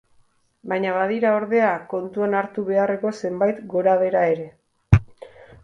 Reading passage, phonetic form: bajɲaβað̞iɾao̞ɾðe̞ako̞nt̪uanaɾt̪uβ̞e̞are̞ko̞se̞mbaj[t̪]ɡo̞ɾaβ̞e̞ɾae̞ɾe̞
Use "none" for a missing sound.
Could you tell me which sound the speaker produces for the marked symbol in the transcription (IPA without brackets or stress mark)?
t̪